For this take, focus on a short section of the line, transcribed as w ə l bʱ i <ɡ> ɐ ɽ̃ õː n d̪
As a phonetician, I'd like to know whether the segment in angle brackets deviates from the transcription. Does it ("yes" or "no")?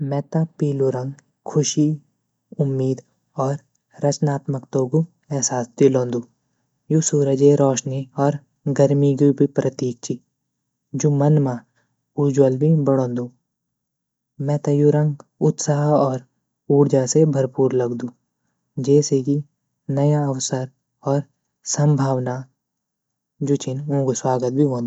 yes